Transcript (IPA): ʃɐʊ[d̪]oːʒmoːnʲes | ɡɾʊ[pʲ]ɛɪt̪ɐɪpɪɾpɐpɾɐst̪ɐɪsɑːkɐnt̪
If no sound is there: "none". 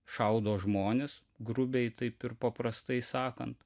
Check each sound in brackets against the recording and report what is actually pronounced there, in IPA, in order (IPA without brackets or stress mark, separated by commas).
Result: d̪, bʲ